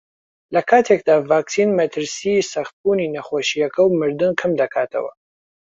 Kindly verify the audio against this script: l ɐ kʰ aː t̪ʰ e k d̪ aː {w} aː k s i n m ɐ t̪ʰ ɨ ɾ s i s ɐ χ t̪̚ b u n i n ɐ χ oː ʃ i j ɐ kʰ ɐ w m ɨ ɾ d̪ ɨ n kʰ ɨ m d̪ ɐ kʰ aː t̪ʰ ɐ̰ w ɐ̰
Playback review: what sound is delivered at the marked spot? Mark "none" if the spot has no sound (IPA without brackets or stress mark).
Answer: v